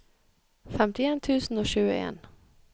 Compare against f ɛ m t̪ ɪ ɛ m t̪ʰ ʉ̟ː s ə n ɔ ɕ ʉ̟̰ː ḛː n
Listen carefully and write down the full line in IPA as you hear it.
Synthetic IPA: f ɛ m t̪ ɪ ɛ n t̪ʰ ʉ̟ː s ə n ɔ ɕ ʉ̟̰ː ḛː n